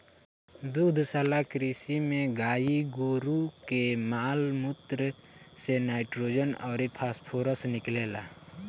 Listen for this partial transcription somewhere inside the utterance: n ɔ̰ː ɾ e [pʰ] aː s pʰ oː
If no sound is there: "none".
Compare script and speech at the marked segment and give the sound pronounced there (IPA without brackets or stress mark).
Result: pʰ